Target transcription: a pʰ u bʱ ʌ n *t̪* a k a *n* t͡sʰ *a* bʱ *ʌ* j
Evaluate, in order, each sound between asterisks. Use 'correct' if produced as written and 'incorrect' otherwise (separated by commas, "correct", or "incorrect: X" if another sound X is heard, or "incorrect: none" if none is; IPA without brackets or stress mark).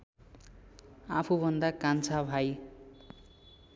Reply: incorrect: d̪, correct, correct, incorrect: a